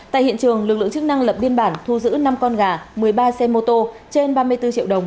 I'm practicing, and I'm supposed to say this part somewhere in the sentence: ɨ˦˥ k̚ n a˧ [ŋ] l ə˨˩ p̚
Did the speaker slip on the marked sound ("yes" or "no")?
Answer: no